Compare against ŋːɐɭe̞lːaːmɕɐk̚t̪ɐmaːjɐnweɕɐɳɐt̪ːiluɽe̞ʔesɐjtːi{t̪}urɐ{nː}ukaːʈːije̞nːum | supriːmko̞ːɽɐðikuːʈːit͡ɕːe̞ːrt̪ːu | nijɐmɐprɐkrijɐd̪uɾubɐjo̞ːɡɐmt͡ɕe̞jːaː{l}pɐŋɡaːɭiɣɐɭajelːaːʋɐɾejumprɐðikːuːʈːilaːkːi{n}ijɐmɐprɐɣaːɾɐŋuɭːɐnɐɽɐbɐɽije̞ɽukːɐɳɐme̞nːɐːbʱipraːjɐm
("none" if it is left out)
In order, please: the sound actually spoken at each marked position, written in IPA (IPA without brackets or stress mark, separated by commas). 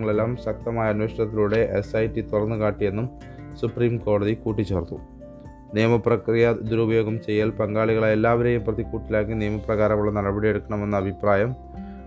t̪, nː, l, n